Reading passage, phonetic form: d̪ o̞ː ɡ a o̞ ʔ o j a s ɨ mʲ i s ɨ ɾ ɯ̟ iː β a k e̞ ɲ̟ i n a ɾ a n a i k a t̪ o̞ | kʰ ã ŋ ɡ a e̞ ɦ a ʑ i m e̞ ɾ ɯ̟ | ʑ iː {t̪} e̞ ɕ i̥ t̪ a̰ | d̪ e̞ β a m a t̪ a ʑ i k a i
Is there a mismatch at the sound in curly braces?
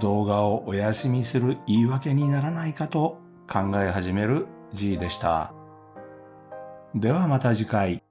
yes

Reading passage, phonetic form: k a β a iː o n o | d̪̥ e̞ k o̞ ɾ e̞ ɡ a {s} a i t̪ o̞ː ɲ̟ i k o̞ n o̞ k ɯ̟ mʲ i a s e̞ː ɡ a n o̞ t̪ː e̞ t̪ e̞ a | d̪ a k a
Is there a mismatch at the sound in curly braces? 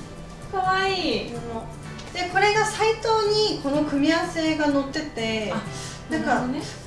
no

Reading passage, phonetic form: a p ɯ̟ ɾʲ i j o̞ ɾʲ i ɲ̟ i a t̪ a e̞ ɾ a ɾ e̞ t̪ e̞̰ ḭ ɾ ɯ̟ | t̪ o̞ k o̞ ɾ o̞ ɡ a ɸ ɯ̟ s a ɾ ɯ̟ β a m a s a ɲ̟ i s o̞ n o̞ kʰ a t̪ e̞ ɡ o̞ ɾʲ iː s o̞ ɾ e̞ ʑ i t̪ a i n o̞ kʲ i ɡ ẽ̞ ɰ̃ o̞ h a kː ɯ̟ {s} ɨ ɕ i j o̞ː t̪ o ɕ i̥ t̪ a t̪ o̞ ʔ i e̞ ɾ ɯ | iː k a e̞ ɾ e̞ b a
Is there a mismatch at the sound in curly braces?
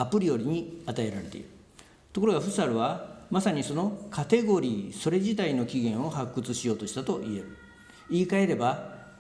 yes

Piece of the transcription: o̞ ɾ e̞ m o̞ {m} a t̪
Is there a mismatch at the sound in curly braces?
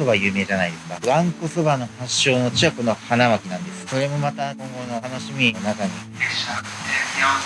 no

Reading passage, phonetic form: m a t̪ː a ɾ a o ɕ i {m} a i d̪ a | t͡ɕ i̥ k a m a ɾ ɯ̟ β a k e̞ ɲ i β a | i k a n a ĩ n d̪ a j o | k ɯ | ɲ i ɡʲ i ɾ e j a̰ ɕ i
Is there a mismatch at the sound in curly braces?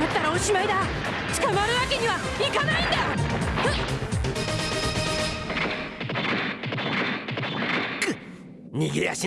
no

